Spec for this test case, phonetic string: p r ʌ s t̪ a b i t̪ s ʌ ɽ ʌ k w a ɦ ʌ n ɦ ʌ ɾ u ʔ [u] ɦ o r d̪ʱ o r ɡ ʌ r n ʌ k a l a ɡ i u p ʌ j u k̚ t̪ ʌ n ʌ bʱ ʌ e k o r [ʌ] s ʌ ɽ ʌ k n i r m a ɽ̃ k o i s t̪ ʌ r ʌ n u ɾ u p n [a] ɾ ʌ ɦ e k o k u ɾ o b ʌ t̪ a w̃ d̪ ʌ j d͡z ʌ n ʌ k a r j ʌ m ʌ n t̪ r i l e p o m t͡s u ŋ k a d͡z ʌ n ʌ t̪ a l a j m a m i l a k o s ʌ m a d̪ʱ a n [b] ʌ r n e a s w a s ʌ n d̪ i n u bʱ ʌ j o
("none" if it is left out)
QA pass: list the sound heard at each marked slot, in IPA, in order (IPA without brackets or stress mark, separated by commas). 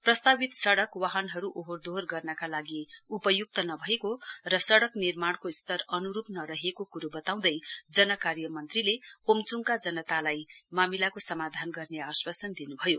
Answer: o, ʌ, ʌ, ɡ